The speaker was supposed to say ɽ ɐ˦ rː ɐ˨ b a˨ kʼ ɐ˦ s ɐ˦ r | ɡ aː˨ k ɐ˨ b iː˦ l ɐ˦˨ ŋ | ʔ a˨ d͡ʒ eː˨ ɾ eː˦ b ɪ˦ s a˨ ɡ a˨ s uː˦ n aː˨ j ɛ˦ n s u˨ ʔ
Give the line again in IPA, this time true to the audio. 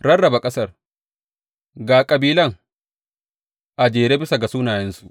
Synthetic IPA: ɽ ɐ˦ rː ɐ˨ b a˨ kʼ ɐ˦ s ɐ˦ r | ɡ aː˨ kʼ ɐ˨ b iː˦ l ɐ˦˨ ŋ | ʔ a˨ d͡ʒ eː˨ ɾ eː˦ b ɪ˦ s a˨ ɡ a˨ s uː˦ n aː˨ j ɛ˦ n s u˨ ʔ